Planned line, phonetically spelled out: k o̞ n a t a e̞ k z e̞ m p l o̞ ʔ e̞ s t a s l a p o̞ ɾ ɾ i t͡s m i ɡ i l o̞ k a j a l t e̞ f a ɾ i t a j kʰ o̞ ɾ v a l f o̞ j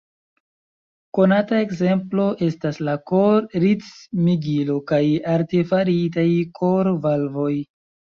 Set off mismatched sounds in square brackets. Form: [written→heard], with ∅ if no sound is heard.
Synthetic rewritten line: k o̞ n a t a e̞ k z e̞ m p l o̞ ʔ e̞ s t a s l a [p→k] o̞ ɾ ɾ i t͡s m i ɡ i l o̞ k a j a [l→ɾ] t e̞ f a ɾ i t a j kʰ o̞ ɾ v a l [f→v] o̞ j